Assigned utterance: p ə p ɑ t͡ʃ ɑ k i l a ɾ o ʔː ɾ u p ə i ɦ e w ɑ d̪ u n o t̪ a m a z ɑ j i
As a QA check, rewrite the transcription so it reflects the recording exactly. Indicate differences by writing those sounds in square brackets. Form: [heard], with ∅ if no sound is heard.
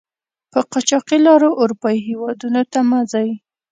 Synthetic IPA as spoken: p ə [q] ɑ t͡ʃ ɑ [q] i l [ɑ] ɾ o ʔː ɾ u p [ɑ] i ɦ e w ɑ d̪ u n o t̪ a m a z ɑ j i